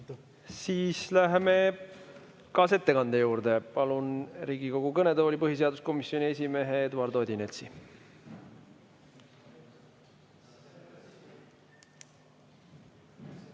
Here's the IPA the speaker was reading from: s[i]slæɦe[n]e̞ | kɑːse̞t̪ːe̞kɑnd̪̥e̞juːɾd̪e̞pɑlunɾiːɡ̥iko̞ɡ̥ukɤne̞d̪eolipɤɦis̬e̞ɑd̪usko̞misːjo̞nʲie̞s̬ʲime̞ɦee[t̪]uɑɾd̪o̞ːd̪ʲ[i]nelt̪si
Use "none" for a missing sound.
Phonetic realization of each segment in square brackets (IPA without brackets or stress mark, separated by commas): iː, m, d̪, i